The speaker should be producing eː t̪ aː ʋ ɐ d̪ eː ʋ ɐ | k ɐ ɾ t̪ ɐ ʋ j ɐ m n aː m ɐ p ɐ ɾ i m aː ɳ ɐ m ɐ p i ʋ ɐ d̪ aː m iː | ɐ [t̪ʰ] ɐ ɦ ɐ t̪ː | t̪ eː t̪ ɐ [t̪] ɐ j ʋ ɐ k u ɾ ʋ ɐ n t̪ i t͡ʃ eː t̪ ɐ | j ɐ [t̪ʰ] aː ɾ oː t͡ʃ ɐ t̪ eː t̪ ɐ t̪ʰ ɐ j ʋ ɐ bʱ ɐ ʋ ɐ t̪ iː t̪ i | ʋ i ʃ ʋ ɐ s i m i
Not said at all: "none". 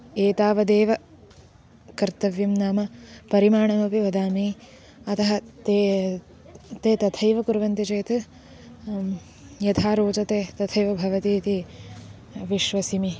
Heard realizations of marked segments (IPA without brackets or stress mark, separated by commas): t̪, t̪ʰ, t̪ʰ